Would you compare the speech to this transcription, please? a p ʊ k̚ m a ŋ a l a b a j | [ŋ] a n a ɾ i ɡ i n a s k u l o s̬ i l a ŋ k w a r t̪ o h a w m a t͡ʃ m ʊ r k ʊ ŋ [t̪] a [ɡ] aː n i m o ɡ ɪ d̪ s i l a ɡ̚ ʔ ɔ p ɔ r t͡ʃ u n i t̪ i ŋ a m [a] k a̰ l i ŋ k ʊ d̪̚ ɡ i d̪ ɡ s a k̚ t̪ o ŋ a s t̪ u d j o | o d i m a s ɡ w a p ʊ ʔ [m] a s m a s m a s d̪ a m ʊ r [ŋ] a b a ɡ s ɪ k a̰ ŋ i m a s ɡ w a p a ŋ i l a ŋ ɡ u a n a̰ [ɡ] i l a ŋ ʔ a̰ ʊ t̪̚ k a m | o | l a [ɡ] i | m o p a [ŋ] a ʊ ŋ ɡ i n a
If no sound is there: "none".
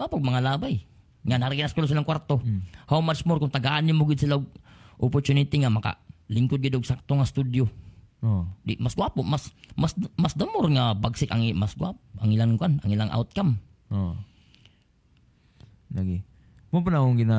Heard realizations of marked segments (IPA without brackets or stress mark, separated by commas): ŋ, t̪, ɡ, a, m, ŋ, ŋ, ɡ, n